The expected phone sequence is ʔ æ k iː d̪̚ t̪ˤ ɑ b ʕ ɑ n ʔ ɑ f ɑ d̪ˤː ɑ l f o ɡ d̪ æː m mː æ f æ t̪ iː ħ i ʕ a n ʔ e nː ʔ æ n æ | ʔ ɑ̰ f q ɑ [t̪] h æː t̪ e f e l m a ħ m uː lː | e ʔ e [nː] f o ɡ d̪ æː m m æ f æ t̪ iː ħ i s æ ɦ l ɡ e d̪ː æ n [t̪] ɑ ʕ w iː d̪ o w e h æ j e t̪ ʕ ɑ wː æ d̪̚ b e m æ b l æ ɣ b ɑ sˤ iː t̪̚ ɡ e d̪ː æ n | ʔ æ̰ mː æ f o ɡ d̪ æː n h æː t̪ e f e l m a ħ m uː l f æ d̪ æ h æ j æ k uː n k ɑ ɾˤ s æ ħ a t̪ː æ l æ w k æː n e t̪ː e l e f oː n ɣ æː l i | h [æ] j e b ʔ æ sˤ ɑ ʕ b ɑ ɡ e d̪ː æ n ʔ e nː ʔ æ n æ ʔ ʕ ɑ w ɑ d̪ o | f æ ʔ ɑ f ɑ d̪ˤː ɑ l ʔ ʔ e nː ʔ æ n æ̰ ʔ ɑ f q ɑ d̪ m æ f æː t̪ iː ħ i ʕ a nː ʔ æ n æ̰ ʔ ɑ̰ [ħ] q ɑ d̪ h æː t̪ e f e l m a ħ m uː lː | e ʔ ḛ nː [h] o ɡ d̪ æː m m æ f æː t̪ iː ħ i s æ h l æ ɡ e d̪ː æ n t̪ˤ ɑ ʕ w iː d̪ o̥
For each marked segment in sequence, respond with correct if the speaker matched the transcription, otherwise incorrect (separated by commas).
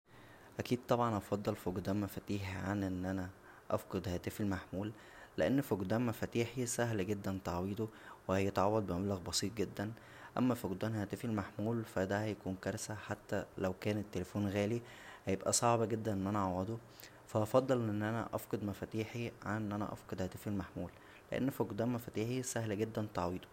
incorrect, correct, correct, correct, incorrect, incorrect